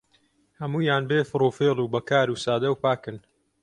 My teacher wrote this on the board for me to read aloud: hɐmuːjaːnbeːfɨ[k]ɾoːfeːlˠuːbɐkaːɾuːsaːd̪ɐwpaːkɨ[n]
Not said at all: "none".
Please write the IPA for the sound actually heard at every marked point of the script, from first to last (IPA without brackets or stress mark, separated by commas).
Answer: none, n